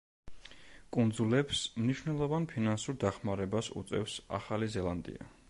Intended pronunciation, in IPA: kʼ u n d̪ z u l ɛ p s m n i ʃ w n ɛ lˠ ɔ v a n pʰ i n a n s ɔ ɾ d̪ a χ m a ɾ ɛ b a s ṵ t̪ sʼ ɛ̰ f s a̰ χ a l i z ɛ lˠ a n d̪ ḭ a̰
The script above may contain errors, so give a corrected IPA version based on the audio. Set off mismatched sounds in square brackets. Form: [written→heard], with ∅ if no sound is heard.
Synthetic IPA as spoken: kʼ u n d̪ z u l ɛ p s m n i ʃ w n ɛ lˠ ɔ v a n pʰ i n a n s [ɔ→u] ɾ d̪ a χ m a ɾ ɛ b a s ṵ t̪ sʼ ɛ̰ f s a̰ χ a l i z ɛ lˠ a n d̪ ḭ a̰